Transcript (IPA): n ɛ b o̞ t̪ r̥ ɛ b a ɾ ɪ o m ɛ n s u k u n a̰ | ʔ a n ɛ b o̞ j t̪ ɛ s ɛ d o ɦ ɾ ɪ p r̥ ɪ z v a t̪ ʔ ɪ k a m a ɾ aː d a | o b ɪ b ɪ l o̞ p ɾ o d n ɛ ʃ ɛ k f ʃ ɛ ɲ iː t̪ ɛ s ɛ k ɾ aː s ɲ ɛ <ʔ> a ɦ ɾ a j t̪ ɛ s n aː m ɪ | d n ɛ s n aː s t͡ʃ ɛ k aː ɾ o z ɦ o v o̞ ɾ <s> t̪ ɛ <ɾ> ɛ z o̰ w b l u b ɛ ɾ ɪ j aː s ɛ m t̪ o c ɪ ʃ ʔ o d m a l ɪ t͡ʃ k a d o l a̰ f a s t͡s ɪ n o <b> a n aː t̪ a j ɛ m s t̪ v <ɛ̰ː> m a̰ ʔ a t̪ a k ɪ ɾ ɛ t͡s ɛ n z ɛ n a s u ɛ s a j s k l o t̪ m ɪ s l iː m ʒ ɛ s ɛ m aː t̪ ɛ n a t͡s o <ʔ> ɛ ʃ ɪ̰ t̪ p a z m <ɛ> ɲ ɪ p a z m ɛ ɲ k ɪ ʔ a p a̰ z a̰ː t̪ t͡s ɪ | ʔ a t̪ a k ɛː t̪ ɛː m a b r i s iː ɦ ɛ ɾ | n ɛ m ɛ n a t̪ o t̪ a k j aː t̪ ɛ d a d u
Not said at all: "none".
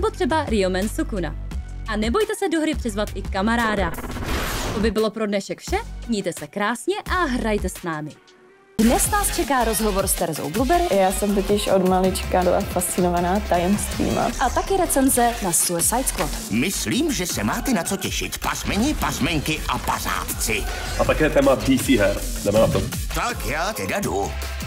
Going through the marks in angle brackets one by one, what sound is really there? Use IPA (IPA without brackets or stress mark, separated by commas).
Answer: ʔ, s, ɾ, v, ḭː, c, ɛ